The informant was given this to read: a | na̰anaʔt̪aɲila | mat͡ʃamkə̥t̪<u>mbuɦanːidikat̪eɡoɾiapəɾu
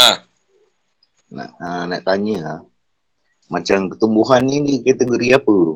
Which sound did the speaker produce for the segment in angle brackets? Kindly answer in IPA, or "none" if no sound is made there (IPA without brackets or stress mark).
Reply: u